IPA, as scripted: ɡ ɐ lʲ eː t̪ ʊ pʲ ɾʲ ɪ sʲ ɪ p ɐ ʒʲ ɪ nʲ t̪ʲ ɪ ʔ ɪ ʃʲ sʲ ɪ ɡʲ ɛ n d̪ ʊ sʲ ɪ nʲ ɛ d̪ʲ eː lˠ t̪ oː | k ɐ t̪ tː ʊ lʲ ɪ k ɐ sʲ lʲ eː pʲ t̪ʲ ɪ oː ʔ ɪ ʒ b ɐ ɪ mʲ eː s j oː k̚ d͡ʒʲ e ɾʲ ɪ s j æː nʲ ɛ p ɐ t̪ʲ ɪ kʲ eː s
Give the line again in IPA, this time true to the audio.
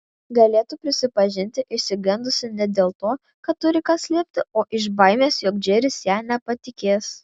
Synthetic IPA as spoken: ɡ ɐ lʲ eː t̪ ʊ pʲ ɾʲ ɪ sʲ ɪ p ɐ ʒʲ ɪ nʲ t̪ʲ ɪ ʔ ɪ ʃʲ sʲ ɪ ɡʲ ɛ n d̪ ʊ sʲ ɪ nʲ ɛ d̪ʲ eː lˠ t̪ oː | k ɐ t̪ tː ʊ ɾʲ ɪ k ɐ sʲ lʲ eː pʲ t̪ʲ ɪ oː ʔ ɪ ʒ b ɐ ɪ mʲ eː s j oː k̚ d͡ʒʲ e ɾʲ ɪ s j æː nʲ ɛ p ɐ t̪ʲ ɪ kʲ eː s